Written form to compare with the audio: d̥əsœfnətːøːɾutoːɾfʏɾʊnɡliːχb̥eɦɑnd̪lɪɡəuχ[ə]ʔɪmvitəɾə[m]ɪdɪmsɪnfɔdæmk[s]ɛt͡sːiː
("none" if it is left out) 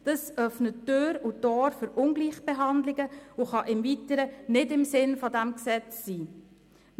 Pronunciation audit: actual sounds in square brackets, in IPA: ɑ, n, s

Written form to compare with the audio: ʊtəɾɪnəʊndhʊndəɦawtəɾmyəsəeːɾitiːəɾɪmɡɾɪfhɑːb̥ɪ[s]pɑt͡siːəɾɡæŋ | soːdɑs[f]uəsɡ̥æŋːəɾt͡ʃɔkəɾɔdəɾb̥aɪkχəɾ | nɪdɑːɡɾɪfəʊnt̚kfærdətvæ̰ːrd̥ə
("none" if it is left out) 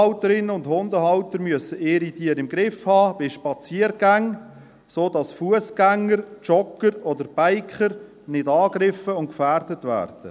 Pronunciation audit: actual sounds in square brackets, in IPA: ʃ, f

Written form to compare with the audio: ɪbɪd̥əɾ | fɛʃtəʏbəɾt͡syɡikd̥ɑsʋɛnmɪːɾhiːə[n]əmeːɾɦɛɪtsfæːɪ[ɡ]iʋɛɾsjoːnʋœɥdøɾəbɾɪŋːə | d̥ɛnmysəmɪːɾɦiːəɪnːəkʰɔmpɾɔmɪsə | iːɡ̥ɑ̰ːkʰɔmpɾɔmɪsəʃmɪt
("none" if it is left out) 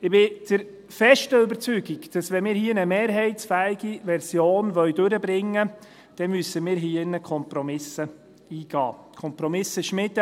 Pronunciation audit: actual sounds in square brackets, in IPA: n, ɡ

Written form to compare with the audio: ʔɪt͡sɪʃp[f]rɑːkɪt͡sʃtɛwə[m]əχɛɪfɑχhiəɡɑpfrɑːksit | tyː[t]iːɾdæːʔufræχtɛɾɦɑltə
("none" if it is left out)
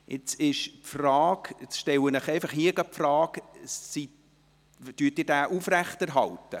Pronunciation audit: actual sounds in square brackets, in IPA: f, n, t

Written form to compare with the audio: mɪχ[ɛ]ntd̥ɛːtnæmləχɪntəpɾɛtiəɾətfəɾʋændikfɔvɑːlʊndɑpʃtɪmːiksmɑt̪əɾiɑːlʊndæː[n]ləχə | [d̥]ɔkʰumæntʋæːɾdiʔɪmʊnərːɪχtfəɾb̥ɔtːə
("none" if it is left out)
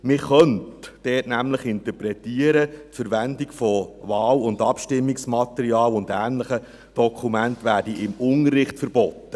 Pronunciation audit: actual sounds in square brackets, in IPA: œ, n, d̥

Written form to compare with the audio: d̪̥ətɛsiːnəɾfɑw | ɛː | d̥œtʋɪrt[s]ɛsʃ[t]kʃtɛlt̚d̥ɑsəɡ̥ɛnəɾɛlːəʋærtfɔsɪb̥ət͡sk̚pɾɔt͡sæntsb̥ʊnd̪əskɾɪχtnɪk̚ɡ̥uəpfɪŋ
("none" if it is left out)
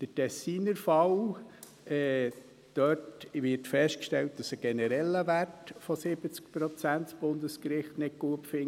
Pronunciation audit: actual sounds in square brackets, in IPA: f, t

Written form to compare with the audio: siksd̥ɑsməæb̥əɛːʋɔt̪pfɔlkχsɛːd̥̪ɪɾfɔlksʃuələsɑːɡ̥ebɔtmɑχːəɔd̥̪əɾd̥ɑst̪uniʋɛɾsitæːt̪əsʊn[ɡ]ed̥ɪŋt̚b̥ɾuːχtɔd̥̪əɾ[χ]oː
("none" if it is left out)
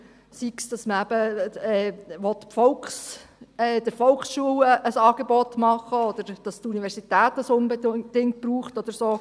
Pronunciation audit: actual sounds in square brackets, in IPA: b, s

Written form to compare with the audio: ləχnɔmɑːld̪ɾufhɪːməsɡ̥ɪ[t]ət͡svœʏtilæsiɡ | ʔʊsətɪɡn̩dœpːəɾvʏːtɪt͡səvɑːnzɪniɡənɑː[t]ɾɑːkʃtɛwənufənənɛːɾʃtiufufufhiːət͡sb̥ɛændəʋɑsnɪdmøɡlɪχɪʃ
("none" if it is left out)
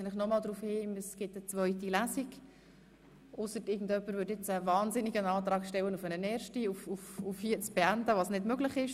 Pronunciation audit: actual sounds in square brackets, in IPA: t, t

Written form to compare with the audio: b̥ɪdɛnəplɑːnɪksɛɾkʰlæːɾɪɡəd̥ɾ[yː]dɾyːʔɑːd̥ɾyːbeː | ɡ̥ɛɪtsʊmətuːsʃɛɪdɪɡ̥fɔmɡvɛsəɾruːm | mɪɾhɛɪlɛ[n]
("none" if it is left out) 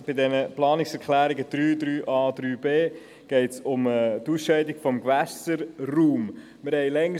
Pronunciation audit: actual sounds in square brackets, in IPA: yː, ŋ

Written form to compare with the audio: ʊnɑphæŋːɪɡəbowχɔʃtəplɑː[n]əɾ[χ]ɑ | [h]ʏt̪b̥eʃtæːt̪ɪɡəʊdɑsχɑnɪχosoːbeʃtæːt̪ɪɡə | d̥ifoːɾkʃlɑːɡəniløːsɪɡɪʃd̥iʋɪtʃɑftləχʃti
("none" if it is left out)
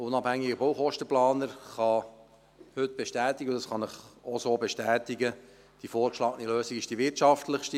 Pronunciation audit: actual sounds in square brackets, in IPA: n, χ, h

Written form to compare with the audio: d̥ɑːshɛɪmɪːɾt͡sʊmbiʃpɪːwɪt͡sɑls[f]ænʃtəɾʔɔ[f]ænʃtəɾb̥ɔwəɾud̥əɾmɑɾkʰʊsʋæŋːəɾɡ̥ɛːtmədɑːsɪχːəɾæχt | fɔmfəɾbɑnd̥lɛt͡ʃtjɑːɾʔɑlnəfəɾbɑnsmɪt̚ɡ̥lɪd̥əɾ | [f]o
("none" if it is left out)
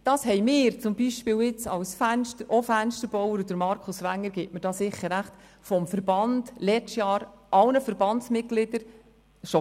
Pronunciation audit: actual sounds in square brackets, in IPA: f, f, ʃ

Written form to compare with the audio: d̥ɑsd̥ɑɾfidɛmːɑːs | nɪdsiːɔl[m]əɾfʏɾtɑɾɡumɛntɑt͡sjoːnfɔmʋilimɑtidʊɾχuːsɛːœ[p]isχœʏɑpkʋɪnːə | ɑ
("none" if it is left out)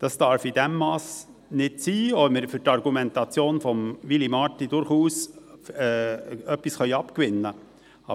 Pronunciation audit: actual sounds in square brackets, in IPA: m, p

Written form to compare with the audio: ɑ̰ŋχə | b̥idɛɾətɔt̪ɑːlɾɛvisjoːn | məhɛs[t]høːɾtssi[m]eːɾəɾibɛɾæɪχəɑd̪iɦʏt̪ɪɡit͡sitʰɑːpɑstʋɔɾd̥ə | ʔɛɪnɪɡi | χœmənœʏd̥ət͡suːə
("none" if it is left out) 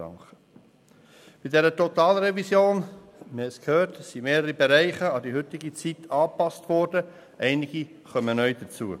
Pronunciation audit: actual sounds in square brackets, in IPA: k, m

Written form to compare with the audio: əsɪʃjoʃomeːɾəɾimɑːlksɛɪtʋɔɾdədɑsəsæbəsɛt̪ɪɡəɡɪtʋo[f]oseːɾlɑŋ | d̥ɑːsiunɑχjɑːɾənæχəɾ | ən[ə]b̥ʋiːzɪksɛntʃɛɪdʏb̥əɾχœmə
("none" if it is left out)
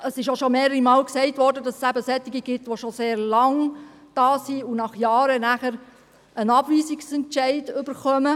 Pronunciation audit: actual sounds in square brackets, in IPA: ʃ, ɑ

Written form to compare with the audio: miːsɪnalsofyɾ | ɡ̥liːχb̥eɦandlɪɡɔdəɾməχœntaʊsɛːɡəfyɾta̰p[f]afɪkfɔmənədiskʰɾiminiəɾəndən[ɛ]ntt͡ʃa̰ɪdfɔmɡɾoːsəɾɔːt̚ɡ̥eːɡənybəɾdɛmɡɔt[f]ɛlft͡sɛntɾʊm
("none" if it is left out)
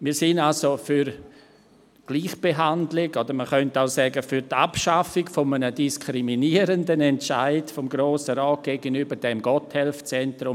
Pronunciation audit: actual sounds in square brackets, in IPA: ʃ, ɛ, h

